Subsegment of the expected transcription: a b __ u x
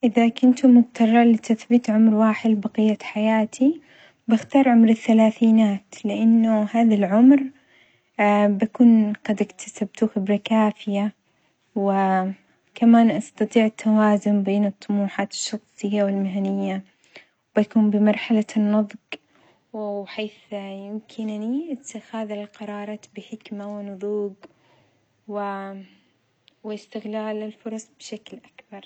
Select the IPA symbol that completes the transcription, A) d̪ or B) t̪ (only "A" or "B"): B